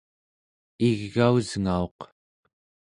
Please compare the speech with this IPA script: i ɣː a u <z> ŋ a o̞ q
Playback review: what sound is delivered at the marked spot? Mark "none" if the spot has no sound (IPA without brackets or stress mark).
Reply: z